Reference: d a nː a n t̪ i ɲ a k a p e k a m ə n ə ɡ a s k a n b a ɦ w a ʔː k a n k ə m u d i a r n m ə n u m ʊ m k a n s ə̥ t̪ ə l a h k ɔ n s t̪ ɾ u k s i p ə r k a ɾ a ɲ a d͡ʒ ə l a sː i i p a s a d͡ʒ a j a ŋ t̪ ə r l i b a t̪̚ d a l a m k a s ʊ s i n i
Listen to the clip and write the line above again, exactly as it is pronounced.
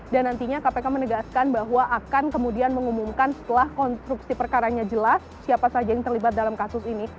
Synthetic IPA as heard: d a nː a n t̪ i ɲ a k a p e k a m ə n ə ɡ a s k a n b a ɦ w a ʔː k a n k ə m u d i a n m ə ŋ u m u m k a n s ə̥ t̪ ə l a h k ɔ n s t̪ ɾ u k s i p ə r k a ɾ a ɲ a d͡ʒ ə l a sː i a p a s a d͡ʒ a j a ŋ t̪ ə r l i b a t̪̚ d a l a m k a s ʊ s i n i